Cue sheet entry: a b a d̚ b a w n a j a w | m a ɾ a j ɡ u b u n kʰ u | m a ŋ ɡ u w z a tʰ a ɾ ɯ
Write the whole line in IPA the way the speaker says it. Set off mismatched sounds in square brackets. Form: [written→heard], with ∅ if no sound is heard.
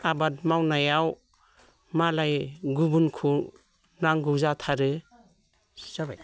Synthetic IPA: a b a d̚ [b→m] a w n a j a w | m a [ɾ→l] a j ɡ u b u n kʰ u | [m→n] a ŋ ɡ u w z a tʰ a ɾ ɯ